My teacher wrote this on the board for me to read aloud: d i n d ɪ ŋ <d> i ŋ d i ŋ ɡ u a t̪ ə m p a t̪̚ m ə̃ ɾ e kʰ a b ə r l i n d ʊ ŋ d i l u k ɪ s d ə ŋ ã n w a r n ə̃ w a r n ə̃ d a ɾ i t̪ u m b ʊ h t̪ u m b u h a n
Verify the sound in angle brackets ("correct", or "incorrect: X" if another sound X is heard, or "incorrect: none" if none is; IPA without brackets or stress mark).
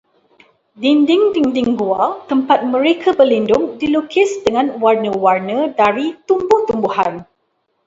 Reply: correct